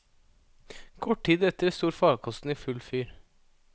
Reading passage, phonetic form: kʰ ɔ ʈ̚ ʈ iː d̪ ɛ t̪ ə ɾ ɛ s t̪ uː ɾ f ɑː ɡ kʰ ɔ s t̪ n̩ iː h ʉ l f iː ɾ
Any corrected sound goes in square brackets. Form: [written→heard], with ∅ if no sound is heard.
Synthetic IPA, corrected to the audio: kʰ ɔ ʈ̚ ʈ iː d̪ ɛ t̪ ə ɾ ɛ s t̪ uː ɾ f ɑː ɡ kʰ ɔ s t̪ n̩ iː [h→f] ʉ l f [iː→yː] ɾ